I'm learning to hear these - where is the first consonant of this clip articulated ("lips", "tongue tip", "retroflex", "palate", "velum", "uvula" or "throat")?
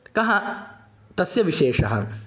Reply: velum